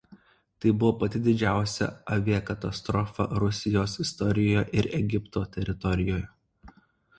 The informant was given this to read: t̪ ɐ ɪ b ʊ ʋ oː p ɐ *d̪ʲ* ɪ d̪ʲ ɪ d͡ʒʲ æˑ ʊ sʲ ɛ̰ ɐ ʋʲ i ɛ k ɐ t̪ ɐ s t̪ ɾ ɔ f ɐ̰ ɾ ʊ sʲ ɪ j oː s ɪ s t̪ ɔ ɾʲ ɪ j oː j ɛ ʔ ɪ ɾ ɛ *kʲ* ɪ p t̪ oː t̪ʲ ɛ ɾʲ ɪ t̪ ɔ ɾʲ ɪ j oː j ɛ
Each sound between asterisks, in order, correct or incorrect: incorrect, incorrect

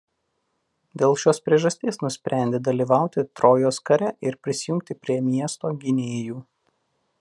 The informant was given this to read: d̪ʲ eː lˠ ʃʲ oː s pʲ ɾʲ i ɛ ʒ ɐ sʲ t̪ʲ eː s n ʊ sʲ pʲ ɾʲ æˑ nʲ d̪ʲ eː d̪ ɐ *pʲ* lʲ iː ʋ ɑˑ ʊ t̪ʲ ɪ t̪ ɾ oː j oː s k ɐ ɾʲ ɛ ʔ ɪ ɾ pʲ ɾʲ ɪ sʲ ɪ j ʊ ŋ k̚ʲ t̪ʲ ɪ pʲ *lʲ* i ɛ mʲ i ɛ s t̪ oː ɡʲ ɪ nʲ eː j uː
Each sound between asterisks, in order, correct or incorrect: incorrect, incorrect

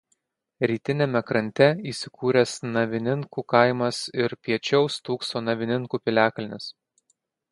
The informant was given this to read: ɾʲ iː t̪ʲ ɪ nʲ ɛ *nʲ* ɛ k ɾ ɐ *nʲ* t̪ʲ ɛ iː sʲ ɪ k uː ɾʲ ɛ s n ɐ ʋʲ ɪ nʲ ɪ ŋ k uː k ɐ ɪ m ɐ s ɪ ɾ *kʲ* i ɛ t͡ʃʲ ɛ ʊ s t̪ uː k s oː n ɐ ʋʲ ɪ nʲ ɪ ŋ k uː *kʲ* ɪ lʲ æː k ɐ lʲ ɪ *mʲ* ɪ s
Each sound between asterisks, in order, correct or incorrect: incorrect, correct, incorrect, incorrect, incorrect

